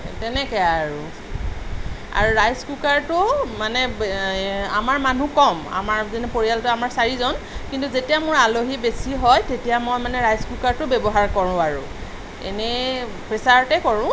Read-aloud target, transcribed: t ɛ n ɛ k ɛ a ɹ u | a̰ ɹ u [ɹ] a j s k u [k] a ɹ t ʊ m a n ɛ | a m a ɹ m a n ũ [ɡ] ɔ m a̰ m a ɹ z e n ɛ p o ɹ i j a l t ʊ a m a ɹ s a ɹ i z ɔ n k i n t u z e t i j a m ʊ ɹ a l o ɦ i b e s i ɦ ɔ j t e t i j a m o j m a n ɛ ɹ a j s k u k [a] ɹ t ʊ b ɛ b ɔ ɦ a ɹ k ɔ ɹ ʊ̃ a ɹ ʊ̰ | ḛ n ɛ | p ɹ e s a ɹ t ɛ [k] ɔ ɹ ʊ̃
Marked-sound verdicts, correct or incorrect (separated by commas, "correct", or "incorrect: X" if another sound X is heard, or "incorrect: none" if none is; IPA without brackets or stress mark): correct, correct, incorrect: k, correct, correct